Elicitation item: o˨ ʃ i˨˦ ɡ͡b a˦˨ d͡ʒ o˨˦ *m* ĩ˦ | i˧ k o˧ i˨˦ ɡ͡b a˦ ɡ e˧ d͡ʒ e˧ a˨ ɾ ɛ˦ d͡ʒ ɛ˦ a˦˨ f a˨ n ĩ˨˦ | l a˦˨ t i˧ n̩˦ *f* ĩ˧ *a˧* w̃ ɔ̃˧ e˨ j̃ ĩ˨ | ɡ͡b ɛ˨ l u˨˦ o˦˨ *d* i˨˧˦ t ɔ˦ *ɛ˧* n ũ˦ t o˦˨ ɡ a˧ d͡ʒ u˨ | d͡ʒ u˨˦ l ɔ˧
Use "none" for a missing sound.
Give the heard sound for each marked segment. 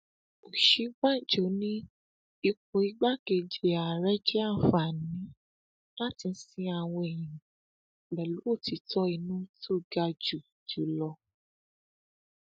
n, s, a˧, t, i˧

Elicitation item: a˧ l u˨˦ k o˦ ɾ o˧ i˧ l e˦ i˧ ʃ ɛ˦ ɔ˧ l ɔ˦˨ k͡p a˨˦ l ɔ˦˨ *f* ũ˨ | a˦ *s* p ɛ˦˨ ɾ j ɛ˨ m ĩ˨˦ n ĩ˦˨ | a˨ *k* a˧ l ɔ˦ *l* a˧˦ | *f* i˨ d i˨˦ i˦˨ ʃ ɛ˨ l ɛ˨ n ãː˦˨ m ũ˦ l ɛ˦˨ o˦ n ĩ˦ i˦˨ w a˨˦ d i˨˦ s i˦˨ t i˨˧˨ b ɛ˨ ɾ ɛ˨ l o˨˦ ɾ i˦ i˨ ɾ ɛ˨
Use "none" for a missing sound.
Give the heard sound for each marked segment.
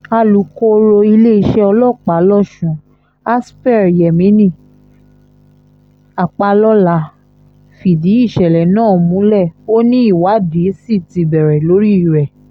ʃ, s, k͡p, l, f

